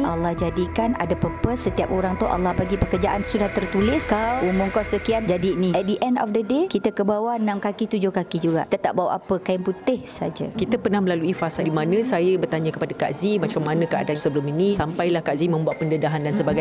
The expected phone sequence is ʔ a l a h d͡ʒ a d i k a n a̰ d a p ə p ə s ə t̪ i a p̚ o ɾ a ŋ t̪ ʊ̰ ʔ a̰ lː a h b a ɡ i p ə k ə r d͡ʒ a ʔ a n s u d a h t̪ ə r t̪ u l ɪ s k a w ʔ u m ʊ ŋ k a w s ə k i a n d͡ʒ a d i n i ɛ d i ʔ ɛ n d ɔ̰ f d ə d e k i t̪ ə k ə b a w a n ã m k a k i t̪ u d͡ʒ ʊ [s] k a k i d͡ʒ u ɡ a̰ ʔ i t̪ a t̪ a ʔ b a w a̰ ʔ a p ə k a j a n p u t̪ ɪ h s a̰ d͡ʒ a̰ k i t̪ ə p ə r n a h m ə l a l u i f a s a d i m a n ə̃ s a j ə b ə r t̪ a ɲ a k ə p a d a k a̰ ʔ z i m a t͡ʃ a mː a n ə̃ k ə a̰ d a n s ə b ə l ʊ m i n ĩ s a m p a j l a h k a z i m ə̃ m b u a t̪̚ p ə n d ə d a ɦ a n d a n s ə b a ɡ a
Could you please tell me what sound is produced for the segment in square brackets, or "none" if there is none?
h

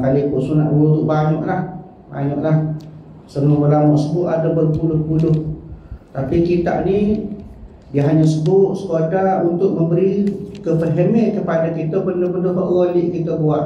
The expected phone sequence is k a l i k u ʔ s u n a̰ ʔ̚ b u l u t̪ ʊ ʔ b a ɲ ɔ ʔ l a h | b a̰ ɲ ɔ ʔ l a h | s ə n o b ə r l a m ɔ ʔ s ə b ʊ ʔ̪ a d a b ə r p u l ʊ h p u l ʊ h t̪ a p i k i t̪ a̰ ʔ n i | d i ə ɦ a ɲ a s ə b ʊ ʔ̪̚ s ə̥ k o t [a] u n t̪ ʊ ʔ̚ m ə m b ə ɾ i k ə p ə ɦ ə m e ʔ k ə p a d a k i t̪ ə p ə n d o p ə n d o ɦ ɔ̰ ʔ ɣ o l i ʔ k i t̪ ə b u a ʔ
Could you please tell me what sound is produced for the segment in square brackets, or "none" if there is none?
a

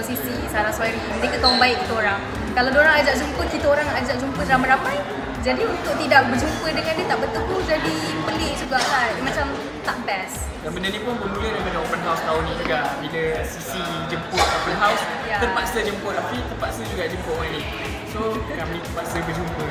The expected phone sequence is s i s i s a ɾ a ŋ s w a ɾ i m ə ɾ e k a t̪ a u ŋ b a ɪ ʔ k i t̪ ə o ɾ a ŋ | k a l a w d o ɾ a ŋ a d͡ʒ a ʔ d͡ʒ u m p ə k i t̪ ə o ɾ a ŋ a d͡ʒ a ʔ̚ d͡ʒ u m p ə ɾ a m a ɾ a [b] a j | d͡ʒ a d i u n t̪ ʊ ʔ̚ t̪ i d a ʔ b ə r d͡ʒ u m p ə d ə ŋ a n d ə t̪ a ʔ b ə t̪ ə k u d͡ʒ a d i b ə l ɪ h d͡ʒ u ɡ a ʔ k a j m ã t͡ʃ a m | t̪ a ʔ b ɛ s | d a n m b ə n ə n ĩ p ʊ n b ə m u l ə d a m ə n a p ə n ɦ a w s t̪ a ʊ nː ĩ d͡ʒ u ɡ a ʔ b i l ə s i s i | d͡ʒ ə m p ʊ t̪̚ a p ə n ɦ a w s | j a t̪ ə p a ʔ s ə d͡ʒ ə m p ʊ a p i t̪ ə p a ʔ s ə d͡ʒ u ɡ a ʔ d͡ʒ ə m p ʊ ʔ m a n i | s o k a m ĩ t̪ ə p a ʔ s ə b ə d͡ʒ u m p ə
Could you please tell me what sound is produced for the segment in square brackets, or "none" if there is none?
m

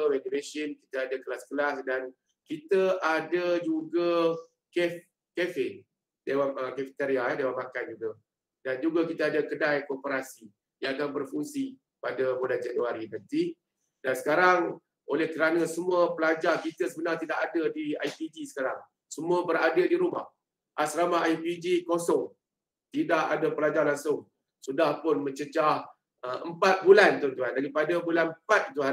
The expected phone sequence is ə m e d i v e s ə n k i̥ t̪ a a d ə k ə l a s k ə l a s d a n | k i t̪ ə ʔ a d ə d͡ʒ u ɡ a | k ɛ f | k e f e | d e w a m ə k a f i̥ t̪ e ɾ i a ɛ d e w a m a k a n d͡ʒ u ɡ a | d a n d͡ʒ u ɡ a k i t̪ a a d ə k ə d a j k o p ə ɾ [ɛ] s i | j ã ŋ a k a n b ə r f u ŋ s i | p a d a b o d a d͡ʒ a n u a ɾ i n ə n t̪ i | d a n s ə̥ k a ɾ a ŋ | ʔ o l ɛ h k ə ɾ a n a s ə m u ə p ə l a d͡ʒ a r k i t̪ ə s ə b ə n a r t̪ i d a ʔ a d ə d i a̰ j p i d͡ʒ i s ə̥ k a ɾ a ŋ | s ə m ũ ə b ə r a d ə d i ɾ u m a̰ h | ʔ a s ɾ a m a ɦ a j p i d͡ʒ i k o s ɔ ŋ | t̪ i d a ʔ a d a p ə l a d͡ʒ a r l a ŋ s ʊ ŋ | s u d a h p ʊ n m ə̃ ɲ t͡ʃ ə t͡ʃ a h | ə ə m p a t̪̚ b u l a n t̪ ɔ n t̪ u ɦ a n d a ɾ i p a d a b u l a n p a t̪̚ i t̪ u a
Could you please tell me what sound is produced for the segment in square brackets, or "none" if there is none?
a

